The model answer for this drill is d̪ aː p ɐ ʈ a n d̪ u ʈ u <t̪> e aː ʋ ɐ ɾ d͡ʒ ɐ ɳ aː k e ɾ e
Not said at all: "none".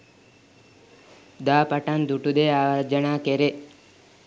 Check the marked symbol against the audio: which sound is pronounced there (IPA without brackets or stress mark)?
d̪